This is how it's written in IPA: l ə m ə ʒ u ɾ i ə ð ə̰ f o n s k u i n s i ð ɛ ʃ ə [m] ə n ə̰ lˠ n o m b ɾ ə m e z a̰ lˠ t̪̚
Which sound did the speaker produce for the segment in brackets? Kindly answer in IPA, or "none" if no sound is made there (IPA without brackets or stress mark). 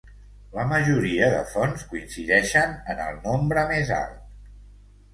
n